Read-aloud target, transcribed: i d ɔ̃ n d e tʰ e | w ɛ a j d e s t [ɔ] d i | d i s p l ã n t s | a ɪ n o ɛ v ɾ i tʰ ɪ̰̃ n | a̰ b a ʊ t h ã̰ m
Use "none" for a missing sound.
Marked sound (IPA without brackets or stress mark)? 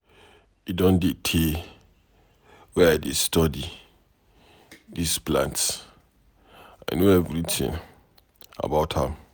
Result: ɔ